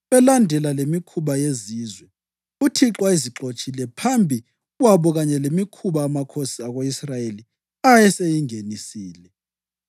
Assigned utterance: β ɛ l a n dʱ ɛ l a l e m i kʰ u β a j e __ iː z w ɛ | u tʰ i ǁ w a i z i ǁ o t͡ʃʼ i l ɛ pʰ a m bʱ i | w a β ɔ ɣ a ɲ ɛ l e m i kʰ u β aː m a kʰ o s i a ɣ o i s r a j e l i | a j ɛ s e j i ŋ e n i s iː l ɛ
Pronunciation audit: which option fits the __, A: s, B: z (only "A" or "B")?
B